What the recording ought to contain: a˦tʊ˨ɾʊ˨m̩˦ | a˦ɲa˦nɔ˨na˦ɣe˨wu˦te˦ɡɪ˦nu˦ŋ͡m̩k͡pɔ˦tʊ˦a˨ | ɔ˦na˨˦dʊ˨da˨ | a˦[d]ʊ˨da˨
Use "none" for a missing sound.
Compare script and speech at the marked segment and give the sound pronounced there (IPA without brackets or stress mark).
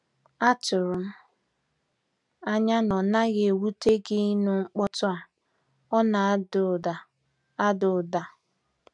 d